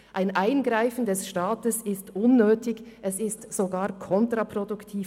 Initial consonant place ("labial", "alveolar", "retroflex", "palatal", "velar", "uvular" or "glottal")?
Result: glottal